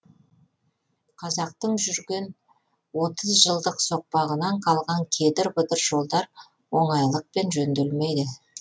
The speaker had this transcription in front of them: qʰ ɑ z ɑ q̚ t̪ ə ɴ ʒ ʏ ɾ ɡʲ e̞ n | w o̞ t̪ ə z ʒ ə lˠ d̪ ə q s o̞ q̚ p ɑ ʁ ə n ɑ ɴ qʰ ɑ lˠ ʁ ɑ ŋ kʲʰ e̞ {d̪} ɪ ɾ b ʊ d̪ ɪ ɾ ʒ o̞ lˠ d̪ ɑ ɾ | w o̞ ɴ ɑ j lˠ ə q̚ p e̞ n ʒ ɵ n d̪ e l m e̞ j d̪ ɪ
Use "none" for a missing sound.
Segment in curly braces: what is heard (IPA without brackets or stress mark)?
d̪